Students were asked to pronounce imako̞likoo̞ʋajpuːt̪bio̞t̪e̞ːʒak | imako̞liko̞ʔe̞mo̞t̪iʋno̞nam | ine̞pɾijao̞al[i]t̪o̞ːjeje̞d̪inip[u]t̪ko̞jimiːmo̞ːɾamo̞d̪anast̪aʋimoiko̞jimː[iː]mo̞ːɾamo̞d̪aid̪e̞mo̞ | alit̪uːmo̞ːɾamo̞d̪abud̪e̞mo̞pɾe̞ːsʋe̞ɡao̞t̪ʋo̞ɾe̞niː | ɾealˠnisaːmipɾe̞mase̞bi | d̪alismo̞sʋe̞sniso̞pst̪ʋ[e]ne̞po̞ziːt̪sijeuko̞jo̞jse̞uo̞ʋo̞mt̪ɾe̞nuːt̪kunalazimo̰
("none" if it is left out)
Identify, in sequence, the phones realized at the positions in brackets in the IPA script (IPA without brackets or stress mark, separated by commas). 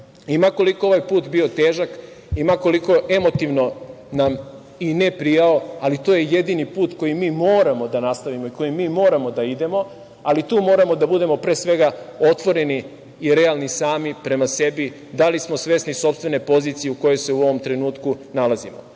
i, uː, iː, e